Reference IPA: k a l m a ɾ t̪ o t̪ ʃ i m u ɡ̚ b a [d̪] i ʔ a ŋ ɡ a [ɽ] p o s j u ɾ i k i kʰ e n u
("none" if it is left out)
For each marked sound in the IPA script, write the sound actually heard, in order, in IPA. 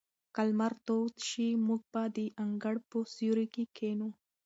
d̪, ɽ

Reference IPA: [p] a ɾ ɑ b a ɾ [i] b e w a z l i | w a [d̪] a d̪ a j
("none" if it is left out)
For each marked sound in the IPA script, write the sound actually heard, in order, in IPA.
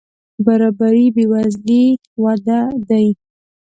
b, i, d̪

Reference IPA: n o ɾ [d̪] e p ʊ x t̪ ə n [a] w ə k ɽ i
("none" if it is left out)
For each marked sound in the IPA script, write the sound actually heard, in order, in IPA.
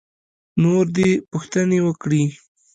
d̪, e

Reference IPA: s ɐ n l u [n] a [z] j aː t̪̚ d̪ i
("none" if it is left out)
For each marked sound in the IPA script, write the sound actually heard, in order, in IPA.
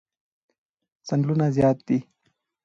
n, z

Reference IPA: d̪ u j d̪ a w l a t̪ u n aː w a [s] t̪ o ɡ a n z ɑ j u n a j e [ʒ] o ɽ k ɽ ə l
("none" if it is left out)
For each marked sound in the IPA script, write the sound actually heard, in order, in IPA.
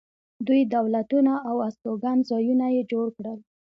s, d͡ʒ

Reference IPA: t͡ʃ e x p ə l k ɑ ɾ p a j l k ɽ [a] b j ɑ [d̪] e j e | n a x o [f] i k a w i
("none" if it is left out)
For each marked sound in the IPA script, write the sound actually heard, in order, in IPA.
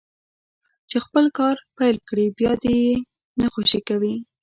i, d̪, ʃ

